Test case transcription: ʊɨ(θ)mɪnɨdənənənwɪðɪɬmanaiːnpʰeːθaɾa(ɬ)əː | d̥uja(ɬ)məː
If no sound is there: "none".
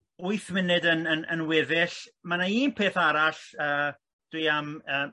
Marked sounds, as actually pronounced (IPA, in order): θ, ɬ, none

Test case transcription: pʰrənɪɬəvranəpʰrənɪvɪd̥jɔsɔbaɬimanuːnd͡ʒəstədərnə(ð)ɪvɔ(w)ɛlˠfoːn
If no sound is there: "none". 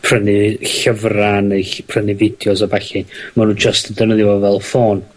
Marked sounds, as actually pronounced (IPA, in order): ð, v

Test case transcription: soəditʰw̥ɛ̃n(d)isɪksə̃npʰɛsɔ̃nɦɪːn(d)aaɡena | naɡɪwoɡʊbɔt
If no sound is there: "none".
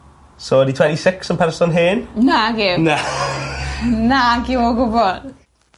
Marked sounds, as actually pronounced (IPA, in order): t, n

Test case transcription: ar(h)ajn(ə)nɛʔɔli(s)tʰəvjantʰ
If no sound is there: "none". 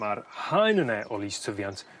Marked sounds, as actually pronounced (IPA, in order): h, ə, s

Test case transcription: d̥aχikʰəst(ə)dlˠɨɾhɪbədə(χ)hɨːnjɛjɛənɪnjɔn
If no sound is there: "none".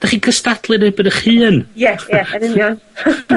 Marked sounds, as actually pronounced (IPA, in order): a, χ

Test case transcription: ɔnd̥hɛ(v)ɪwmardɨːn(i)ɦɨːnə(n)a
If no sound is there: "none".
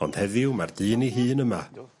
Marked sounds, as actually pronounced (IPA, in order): ð, i, m

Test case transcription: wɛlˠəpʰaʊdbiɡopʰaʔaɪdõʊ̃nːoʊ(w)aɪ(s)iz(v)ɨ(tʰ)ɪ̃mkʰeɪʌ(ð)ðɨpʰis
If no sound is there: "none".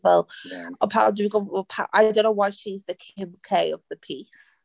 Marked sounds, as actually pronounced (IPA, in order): w, ʃ, ð, kʰ, v

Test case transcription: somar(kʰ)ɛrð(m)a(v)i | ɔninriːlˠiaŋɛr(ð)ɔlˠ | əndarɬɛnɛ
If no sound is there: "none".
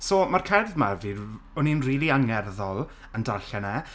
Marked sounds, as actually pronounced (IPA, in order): kʰ, m, v, ð

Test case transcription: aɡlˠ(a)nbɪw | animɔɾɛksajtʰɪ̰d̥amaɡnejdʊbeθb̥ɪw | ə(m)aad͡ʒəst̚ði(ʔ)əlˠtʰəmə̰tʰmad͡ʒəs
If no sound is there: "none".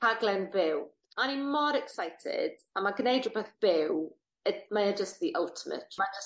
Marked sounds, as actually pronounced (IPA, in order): ɛ, m, ʔ

